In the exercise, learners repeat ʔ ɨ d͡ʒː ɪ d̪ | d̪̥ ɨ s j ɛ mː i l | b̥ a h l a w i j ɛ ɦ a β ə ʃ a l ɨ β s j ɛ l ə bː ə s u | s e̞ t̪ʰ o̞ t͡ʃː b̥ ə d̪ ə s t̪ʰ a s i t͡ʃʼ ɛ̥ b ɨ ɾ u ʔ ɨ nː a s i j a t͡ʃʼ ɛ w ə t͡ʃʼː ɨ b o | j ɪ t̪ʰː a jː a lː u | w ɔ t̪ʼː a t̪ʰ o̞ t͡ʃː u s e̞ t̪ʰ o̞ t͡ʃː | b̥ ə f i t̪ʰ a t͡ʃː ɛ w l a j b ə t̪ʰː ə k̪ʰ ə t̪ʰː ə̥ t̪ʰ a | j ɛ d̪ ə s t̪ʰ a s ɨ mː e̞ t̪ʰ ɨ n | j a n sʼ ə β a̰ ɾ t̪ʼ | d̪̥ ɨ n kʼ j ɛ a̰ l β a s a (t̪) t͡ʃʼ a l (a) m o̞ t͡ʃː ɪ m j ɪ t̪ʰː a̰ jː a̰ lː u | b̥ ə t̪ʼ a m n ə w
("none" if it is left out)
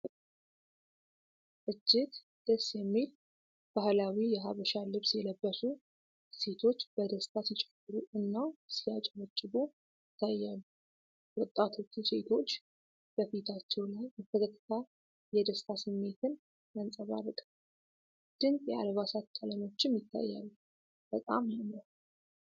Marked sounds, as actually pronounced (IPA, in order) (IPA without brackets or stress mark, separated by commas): t̪, ə